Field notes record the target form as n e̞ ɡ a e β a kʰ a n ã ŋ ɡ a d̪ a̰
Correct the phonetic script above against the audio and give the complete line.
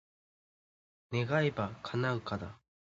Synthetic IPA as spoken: n e̞ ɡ a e b a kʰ a n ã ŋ k a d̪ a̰